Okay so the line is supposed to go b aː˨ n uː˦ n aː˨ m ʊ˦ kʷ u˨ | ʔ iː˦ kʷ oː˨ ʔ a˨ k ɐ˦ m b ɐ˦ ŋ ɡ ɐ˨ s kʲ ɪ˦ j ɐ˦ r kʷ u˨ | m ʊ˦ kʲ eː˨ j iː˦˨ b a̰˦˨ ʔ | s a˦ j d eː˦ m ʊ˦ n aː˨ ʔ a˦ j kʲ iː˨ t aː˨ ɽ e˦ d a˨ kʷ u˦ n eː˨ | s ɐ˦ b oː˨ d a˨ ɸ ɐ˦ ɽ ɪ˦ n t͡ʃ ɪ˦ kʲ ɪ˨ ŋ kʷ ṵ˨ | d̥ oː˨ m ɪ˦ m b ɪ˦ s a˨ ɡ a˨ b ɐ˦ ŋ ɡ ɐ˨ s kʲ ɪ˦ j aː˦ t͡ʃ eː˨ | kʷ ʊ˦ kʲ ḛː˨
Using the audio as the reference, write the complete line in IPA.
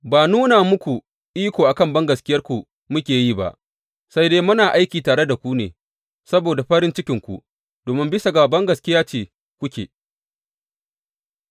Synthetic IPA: b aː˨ n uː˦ n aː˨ m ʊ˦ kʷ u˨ | ʔ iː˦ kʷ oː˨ ʔ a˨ k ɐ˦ m b ɐ˦ ŋ ɡ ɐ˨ s kʲ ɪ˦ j ɐ˦ r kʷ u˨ | m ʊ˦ kʲ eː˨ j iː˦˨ b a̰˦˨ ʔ | s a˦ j d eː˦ m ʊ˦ n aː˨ ʔ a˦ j kʲ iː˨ t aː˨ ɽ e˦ d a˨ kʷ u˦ n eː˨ | s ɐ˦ b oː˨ d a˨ ɸ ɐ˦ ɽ ɪ˦ n t͡ʃ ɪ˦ kʲ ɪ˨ ŋ kʷ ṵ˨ | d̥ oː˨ m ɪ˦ m b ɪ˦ s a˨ ɡ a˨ b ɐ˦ ŋ ɡ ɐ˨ s kʲ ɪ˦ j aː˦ t͡ʃ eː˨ | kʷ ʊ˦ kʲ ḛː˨